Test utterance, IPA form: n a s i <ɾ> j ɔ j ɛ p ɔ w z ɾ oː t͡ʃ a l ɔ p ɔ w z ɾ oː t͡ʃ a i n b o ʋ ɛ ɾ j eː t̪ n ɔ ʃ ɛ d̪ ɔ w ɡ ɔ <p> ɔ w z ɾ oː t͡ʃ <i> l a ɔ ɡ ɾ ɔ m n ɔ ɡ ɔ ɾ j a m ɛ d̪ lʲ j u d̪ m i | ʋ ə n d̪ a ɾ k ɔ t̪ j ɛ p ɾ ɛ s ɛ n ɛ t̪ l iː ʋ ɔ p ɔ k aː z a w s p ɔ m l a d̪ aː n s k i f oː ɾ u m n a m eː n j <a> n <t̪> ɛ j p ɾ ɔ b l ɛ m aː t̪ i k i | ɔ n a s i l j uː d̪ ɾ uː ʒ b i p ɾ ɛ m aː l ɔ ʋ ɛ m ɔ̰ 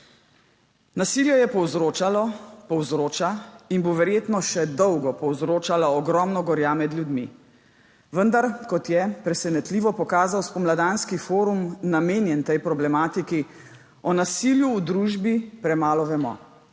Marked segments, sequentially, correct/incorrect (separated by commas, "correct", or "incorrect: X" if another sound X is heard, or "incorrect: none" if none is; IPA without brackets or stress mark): incorrect: l, correct, incorrect: a, incorrect: ɛ, correct